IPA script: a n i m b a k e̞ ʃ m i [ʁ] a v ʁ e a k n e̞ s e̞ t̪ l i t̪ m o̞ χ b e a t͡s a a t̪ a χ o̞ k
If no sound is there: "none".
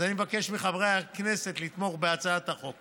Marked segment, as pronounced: χ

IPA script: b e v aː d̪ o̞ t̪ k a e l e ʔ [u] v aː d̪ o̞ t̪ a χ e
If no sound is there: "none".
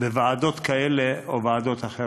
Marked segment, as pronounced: o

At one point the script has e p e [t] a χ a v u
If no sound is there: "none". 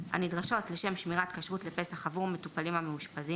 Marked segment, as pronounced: s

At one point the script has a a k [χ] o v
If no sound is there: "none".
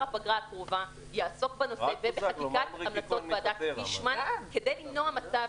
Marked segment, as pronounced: ʁ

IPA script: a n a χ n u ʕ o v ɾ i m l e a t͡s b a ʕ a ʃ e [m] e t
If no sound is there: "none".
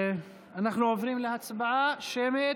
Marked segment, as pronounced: m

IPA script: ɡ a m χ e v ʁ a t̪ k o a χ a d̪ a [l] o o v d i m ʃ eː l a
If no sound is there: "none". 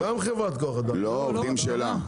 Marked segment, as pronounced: l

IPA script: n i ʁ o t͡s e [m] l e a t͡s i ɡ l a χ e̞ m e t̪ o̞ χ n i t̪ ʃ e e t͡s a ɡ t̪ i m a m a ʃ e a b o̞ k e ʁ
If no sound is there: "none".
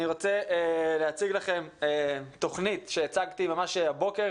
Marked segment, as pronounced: none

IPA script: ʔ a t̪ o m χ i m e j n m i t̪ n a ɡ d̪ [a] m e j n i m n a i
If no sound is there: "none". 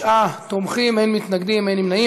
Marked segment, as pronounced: i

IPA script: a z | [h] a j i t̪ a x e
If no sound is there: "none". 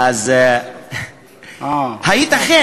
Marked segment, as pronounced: h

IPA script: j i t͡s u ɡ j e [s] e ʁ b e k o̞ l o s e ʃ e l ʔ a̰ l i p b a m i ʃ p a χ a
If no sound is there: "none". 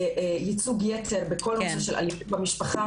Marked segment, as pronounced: t͡s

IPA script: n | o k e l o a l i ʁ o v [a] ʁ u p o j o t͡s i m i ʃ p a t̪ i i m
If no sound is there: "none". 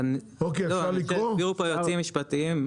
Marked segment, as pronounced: i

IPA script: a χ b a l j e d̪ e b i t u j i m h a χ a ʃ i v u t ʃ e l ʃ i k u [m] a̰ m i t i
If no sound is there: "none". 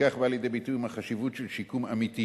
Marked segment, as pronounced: m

